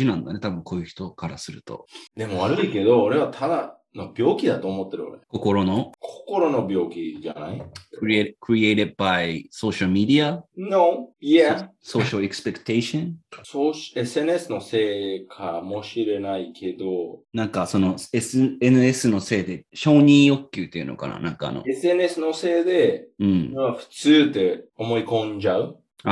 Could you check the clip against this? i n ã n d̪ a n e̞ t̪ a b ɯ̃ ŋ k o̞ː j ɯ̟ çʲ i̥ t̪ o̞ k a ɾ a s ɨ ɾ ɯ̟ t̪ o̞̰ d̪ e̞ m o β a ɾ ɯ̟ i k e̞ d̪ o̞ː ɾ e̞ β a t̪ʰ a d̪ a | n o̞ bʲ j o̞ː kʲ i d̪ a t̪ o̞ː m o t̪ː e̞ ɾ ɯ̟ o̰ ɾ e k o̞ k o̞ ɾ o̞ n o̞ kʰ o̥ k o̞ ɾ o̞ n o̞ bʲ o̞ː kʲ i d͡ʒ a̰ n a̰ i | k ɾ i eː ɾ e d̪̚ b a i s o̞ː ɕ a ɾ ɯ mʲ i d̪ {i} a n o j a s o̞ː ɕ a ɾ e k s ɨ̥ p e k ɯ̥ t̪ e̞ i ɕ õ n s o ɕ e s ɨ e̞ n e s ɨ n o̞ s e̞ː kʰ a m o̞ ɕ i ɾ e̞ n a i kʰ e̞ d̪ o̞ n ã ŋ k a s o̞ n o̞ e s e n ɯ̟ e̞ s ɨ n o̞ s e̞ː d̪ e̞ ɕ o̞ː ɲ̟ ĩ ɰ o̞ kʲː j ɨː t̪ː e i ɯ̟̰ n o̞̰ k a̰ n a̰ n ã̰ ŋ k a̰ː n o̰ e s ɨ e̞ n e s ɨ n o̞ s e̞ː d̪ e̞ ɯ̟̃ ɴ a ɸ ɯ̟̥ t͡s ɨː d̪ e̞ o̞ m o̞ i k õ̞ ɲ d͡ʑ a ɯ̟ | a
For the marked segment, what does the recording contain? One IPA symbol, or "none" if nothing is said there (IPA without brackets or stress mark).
i